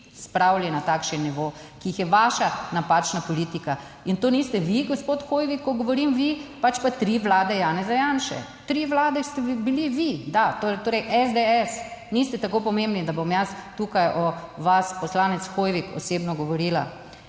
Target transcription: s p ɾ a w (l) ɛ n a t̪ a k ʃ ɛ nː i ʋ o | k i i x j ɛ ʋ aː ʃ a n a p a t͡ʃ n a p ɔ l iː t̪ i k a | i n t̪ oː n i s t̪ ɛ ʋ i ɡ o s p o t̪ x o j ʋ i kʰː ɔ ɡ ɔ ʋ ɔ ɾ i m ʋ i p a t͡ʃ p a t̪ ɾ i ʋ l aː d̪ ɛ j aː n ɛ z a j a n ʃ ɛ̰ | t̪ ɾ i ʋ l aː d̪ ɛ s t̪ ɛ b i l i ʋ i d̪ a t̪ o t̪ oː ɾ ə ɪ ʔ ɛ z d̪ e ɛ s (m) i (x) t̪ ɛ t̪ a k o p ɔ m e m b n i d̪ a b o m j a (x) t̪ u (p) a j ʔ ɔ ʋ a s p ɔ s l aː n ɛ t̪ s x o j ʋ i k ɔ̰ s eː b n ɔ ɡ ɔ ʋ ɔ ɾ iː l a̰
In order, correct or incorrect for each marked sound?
correct, incorrect: n, incorrect: s, incorrect: s, incorrect: k

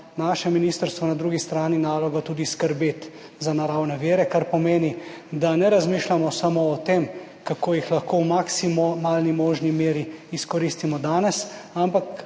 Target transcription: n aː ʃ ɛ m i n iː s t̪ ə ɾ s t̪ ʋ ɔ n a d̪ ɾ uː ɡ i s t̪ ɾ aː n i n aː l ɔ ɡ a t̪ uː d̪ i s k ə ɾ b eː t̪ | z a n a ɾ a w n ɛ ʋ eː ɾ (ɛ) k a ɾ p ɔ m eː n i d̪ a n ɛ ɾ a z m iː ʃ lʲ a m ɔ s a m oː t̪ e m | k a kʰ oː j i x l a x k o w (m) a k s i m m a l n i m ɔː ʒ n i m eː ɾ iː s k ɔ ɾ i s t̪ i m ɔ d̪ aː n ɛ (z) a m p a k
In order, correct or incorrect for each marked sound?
correct, correct, incorrect: s

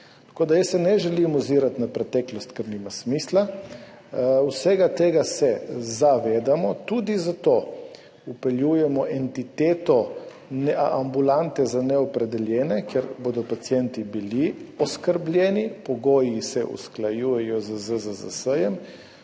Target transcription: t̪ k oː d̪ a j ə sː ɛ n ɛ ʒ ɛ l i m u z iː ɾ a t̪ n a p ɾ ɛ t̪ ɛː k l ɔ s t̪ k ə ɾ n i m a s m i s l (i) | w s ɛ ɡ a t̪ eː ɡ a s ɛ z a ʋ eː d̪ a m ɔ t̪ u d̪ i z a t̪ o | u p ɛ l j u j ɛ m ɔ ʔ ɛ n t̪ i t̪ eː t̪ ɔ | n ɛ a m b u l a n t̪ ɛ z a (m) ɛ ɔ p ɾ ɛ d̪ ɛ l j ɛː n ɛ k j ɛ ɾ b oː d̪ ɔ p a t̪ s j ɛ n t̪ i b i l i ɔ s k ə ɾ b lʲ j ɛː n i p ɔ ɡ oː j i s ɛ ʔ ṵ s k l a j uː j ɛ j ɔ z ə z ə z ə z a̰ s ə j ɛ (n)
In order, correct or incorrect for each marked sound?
incorrect: a, incorrect: n, incorrect: m

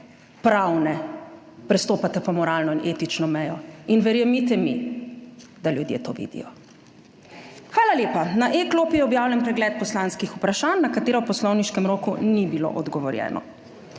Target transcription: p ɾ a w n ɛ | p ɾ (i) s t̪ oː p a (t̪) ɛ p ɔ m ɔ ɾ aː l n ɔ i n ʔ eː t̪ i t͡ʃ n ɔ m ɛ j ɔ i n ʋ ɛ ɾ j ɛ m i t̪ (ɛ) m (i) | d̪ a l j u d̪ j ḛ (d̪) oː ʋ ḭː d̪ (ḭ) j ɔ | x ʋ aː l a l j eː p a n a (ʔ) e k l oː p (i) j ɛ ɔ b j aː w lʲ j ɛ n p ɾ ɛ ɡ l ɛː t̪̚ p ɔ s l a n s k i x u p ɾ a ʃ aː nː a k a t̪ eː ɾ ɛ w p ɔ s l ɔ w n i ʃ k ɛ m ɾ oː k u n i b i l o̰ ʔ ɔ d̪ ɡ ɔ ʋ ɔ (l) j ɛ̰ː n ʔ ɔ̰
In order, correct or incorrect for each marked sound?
incorrect: ɛ, correct, correct, correct, incorrect: t̪, correct, correct, correct, incorrect: ɾ

